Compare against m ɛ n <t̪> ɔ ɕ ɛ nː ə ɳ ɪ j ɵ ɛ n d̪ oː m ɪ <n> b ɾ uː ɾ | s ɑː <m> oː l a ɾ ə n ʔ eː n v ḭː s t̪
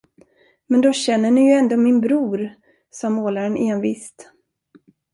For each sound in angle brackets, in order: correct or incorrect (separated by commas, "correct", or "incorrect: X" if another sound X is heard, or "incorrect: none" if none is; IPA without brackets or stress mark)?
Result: incorrect: d̪, correct, correct